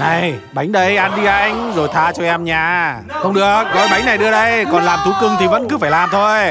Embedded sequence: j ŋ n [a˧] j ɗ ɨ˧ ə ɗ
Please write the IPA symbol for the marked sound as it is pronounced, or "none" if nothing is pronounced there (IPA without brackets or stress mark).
a˨˩